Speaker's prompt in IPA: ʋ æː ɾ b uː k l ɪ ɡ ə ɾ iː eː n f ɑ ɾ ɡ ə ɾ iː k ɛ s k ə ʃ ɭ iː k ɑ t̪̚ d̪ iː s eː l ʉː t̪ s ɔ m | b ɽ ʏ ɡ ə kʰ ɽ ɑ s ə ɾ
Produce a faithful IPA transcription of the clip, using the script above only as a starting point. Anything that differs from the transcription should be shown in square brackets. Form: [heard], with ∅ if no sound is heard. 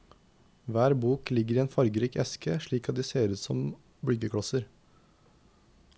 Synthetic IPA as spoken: ʋ æː ɾ b uː k l ɪ ɡ ə ɾ iː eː n f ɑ ɾ ɡ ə ɾ iː k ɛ s k ə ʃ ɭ iː k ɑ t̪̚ d̪ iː s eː [ɾ] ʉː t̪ s ɔ m | b ɽ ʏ ɡ ə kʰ ɽ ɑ s ə ɾ